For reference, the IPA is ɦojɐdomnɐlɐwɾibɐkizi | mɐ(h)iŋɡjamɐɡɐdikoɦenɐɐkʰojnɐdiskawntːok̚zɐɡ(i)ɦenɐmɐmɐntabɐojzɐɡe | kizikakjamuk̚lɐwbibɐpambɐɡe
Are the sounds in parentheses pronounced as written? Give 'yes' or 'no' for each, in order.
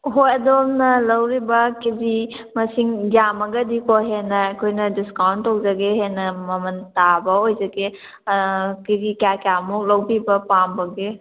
no, no

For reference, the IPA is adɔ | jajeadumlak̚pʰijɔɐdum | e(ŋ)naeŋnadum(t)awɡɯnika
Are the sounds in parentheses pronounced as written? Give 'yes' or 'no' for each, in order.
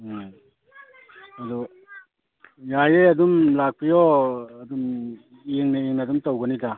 yes, yes

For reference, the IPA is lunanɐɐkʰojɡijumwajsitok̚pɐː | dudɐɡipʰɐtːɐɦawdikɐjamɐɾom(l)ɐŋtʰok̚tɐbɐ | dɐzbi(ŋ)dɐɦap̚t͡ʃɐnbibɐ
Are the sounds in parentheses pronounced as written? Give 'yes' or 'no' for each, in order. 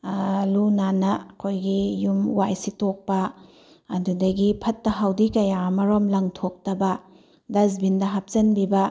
yes, no

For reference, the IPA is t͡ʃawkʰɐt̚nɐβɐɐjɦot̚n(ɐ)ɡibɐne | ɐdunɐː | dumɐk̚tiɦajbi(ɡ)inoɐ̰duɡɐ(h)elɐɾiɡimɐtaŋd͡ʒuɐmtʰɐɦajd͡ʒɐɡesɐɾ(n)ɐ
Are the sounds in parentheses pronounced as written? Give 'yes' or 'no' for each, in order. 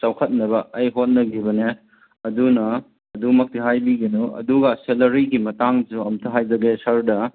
yes, yes, no, no

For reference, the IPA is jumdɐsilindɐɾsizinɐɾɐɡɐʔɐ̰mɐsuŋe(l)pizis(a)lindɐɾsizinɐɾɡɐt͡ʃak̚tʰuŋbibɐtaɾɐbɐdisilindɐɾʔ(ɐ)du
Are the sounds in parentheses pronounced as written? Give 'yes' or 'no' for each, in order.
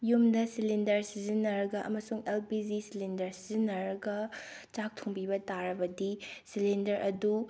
yes, no, yes

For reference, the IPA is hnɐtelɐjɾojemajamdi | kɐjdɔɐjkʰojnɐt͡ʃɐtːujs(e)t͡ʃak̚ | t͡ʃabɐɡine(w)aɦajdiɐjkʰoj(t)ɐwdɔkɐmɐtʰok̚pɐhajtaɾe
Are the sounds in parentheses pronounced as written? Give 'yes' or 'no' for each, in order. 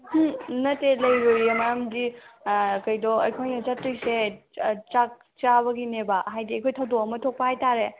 yes, no, no

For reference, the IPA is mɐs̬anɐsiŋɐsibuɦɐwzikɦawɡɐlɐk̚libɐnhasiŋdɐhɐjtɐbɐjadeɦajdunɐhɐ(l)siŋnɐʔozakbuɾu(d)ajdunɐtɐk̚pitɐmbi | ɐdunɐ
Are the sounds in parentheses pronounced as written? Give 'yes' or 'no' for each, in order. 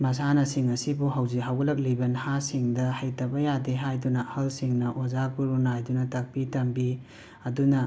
yes, no

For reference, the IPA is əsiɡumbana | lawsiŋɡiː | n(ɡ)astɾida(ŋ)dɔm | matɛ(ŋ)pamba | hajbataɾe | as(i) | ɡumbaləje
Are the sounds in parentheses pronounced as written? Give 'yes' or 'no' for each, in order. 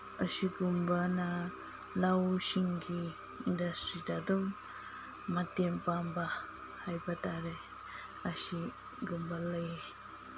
no, no, no, yes

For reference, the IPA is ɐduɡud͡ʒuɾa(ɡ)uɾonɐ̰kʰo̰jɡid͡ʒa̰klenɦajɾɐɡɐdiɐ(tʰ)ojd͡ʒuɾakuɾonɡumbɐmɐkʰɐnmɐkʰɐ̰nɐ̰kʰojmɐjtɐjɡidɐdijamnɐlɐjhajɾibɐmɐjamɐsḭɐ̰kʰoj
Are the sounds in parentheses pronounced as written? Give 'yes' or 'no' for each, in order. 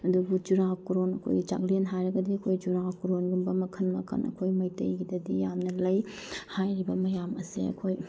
no, no

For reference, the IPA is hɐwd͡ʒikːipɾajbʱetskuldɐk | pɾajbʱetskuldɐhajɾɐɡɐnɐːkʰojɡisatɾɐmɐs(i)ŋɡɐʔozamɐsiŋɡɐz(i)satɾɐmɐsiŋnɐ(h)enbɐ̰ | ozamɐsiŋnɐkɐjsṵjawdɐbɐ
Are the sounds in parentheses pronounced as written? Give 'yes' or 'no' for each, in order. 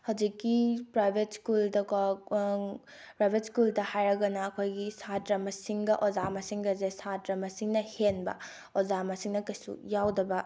yes, no, yes

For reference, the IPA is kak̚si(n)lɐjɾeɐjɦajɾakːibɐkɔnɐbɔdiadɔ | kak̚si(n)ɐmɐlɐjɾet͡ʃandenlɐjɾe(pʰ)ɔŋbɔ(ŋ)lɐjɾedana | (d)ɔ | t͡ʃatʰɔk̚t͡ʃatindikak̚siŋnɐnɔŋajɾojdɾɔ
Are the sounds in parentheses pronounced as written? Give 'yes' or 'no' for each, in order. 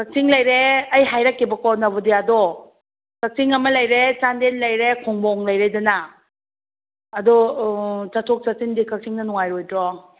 no, no, no, yes, yes

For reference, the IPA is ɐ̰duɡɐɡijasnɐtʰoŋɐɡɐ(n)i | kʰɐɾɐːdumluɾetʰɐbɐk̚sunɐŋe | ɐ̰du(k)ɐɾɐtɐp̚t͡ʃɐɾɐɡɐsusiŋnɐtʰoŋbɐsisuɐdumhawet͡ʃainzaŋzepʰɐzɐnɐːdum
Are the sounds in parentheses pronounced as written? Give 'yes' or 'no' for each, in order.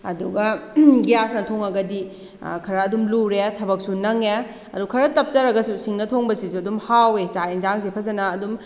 no, no

